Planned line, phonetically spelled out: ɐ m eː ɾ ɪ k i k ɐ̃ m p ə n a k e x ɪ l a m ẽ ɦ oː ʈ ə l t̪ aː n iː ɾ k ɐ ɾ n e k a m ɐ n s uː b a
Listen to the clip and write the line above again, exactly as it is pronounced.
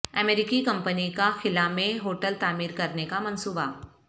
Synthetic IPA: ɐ m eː ɾ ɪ k i k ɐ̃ m p ə n i k a x ɪ l a m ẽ ɦ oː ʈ ə l t̪ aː m iː ɾ k ɐ ɾ n e k a m ɐ n s uː b a

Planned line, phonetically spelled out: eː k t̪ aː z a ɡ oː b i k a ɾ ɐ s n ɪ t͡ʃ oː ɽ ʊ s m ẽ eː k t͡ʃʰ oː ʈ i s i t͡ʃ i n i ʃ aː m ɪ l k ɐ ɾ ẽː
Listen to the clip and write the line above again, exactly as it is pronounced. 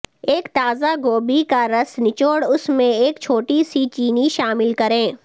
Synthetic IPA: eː k t̪ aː z a ɡ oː b i k a ɾ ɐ s n ɪ t͡ʃ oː ɽ ʊ s m ẽ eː k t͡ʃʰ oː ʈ i s i t͡ʃ iː n i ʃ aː m ɪ l k ɐ ɾ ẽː

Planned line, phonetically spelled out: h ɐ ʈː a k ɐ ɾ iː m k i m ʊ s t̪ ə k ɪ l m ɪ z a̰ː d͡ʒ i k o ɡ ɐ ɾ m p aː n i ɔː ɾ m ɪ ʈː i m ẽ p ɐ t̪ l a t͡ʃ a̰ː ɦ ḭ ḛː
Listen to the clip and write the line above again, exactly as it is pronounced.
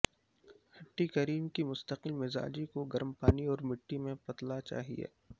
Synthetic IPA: h ɐ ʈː i k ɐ ɾ iː m k i m ʊ s t̪ ə q ɪ l m ɪ z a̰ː d͡ʒ i k o ɡ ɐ ɾ m p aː n i ɔː ɾ m ɪ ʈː i m ẽ p ɐ t̪ l a t͡ʃ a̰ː ɦ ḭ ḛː

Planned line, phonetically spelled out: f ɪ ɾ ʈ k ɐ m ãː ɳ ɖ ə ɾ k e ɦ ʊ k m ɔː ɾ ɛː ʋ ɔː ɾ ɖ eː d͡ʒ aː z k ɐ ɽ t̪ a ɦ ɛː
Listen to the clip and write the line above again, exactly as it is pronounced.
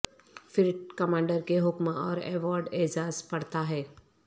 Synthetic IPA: f ɪ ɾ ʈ k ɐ m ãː ɳ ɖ ə ɾ k e ɦ ʊ k m ɔː ɾ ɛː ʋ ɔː ɾ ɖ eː d͡ʒ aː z p ɐ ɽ t̪ a ɦ ɛː

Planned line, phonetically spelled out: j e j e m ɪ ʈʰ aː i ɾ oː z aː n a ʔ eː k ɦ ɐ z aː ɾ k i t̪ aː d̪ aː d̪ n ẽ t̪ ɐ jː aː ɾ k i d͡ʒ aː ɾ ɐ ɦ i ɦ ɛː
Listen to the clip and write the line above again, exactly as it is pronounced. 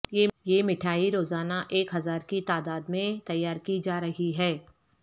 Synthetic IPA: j e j e m ɪ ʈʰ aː i ɾ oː z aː n a ʔ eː k ɦ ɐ z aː ɾ k i t̪ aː d̪ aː d̪ m ẽ t̪ ɐ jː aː ɾ k i d͡ʒ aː ɾ ɐ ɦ i ɦ ɛː

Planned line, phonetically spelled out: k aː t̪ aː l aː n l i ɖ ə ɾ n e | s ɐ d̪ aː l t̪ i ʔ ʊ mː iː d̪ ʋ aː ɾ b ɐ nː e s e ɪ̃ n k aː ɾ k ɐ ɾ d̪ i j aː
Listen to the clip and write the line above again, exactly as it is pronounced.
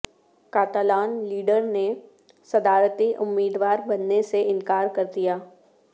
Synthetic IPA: k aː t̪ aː l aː n l iː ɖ ə ɾ n e | s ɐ d̪ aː ɾ t̪ i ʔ ʊ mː iː d̪ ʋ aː ɾ b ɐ nː e s e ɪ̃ n k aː ɾ k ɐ ɾ d̪ i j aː

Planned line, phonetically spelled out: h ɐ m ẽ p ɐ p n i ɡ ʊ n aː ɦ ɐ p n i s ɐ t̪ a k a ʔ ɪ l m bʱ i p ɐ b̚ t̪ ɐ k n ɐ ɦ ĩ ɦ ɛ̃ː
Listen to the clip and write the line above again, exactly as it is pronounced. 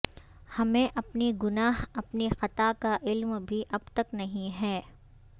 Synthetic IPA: h ɐ m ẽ ʔ ɐ p n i ɡ ʊ n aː ɦ ɐ p n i x ɐ t̪ a k a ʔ ɪ l m bʱ i ʔ ɐ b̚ t̪ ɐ k n ɐ ɦ ĩ ɦ ɛː

